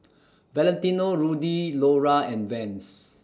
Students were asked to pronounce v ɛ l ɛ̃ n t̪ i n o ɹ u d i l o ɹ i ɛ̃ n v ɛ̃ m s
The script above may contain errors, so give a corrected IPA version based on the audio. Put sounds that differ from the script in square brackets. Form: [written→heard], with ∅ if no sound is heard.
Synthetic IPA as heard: v ɛ l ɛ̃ n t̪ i n o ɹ u d i l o ɹ [i→a] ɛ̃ n v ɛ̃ [m→n] s